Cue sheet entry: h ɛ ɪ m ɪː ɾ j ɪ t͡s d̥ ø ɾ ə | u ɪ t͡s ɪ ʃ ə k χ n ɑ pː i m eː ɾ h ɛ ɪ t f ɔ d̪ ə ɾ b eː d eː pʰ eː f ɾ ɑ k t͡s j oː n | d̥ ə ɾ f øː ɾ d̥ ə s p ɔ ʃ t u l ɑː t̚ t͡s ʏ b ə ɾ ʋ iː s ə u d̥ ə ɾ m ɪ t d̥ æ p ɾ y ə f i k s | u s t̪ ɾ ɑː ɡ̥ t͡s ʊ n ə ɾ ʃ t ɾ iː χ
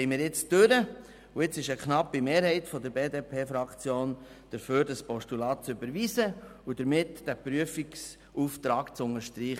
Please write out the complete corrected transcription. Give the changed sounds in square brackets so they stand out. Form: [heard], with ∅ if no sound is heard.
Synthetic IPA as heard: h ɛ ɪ m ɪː ɾ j ɪ t͡s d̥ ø ɾ ə | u ɪ t͡s ɪ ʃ ə k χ n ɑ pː i m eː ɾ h ɛ ɪ t f ɔ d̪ ə ɾ b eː d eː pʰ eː f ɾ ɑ k t͡s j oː n | d̥ ə ɾ f øː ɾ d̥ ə s p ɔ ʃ t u l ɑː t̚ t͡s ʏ b ə ɾ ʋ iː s ə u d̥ ə ɾ m ɪ t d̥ æ p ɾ y ə f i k s | u [f] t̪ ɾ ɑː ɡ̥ t͡s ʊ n ə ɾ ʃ t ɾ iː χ

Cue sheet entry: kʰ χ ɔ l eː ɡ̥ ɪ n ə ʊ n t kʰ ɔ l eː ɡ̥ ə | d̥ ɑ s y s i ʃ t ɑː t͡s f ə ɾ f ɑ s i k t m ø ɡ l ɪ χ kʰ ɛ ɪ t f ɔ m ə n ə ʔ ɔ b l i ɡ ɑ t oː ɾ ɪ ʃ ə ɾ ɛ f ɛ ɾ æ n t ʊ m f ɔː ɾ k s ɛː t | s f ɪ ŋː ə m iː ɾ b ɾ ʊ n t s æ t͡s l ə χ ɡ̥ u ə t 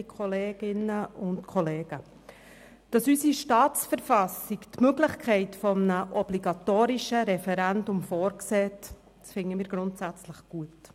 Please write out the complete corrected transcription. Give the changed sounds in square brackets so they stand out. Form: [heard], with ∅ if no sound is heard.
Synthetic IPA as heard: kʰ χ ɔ l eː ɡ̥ ɪ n ə ʊ n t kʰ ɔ l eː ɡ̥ ə | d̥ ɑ s y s i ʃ t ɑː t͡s f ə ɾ f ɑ s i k t m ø ɡ l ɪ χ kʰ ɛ ɪ t f ɔ m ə n ə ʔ ɔ b l i ɡ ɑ t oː ɾ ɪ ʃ ə ɾ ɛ f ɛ ɾ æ n [d] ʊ m f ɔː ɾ k s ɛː t | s f ɪ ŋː ə m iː ɾ [ɡ] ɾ ʊ n t s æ t͡s l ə χ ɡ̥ u ə t

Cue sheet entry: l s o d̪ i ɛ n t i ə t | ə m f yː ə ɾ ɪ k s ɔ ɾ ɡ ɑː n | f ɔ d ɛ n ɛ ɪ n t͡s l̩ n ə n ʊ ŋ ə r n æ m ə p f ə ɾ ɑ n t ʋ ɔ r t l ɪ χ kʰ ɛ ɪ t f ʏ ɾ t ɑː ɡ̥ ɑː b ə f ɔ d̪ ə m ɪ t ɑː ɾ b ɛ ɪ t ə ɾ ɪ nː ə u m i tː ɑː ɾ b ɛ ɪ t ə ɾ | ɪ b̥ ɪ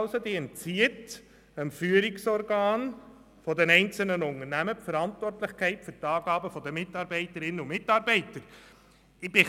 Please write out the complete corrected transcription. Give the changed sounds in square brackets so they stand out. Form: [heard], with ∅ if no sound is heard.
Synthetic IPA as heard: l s o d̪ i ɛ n [t͡s] i ə t | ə m f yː ə ɾ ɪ k s ɔ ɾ ɡ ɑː n | f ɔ d ɛ n ɛ ɪ n t͡s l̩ n ə n ʊ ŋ ə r n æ m ə p f ə ɾ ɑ n t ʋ ɔ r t l ɪ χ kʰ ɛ ɪ t f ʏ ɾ t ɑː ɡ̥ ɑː b ə f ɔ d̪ ə m ɪ t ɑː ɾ b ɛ ɪ t ə ɾ ɪ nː ə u m [ɪ] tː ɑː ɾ b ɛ ɪ t ə ɾ | ɪ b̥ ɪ

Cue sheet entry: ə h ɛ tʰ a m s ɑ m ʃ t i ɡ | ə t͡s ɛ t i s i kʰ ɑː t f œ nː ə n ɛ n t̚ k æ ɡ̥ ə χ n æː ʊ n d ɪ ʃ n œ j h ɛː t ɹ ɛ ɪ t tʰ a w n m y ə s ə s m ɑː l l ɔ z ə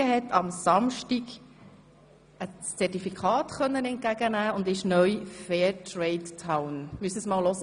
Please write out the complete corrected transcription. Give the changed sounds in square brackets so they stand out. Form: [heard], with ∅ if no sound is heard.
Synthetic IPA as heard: ə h ɛ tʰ [ɑ] m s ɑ m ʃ t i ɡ | ə t͡s ɛ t i [f] i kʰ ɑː t [χ] œ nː ə n ɛ n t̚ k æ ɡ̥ ə [∅] n æː ʊ n d ɪ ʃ n œ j [f] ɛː t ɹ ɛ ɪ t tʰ a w n m y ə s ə s m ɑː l l ɔ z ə

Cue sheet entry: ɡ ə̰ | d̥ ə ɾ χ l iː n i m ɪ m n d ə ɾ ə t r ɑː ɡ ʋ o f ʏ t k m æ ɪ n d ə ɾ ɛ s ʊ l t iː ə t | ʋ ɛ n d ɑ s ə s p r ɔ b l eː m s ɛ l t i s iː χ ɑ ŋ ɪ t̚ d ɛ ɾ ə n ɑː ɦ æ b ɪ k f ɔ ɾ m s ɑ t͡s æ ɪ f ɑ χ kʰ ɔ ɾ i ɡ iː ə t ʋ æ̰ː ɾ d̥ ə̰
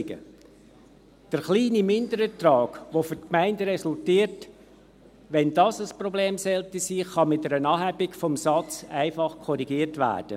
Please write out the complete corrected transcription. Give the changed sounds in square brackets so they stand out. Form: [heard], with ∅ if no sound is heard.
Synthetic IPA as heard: ɡ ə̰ | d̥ ə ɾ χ l iː n i m ɪ [∅] n d ə ɾ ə t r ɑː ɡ ʋ o f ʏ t k m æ ɪ n d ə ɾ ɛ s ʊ l t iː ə t | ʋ ɛ n d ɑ s ə s p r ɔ b l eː m s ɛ l t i s iː χ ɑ [m] ɪ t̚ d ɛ ɾ ə n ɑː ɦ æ b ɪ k f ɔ [∅] m s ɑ t͡s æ ɪ f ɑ χ kʰ ɔ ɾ i ɡ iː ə t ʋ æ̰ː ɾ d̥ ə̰

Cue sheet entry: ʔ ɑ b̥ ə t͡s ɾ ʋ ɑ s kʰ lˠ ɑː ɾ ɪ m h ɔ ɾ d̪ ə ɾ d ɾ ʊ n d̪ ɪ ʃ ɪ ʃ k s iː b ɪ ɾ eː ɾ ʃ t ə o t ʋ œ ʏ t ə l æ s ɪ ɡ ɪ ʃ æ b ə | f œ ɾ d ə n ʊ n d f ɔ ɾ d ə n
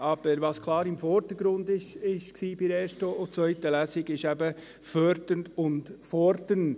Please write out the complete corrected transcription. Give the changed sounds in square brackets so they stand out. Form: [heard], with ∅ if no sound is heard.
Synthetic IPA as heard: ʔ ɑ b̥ ə [∅] ɾ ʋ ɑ s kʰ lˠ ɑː ɾ ɪ m [f] ɔ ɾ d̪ ə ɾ [ɡ] ɾ ʊ n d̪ ɪ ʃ ɪ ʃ k s iː b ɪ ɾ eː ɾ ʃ t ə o [t͡s] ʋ œ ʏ t ə l æ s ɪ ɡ ɪ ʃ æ b ə | f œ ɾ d ə n ʊ n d f ɔ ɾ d ə n

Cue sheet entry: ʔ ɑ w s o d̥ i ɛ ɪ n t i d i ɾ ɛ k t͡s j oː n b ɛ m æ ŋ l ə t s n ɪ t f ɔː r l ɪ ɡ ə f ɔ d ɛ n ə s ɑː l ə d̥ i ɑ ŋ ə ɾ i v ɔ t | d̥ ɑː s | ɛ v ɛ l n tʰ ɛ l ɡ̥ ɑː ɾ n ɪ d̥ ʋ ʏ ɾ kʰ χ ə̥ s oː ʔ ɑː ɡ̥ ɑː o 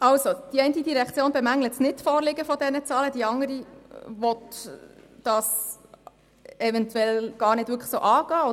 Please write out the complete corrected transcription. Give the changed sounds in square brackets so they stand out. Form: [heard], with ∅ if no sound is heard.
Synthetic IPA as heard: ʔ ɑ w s o d̥ i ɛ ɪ n t i d i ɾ ɛ k t͡s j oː n b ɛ m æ ŋ l ə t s n ɪ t f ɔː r l ɪ ɡ ə f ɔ d ɛ n ə [t͡s] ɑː l ə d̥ i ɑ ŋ ə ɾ i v ɔ t | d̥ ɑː s | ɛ v ɛ [∅] n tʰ ɛ l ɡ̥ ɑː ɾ n ɪ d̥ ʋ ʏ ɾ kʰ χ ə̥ s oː ʔ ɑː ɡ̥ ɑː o

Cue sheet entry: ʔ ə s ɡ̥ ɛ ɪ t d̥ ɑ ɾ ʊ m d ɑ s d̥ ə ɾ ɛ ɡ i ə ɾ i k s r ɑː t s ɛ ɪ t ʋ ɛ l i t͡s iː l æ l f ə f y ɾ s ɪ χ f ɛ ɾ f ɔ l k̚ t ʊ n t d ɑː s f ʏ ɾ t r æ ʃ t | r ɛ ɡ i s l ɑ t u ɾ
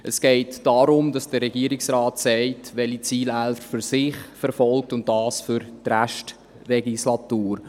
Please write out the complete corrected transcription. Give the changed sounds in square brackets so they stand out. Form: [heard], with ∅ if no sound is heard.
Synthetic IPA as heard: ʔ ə s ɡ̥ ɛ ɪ t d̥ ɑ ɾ ʊ m d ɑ s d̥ ə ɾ ɛ ɡ i ə ɾ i k s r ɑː t s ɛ ɪ t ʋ ɛ l i t͡s iː l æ l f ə f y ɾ s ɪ χ f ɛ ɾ f ɔ l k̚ t ʊ n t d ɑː s f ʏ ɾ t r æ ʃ t | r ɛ ɡ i s l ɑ t [uː] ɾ

